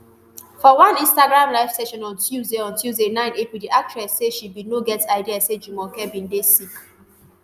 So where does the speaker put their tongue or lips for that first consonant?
lips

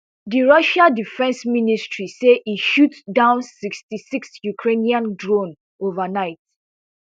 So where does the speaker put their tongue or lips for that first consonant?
tongue tip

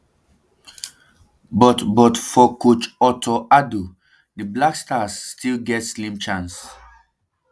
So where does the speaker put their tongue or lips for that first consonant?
lips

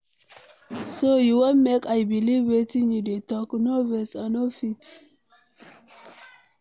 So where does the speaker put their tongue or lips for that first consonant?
tongue tip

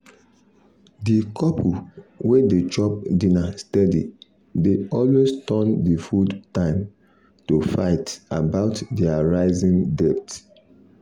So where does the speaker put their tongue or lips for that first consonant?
tongue tip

